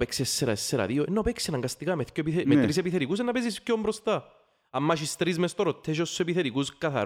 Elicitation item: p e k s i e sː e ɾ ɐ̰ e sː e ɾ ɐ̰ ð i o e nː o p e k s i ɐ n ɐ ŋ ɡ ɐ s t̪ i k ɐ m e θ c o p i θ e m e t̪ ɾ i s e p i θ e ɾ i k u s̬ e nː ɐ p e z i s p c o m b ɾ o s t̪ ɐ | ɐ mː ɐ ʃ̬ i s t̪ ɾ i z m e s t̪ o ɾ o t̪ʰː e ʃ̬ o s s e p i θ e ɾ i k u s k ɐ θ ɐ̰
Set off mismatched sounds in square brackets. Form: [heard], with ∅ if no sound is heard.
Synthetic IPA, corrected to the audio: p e k s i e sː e ɾ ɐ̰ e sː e ɾ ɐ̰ ð i o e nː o p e k s i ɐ n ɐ ŋ ɡ ɐ s t̪ i k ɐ m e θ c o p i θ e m e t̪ ɾ i s e p i θ e ɾ i k u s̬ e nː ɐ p e z i s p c o m b ɾ o s t̪ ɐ | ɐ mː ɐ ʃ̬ i s t̪ ɾ i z m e s t̪ o ɾ o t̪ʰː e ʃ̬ o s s e p i θ e ɾ i k u s k ɐ θ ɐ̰